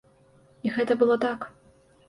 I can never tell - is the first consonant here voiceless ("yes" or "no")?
no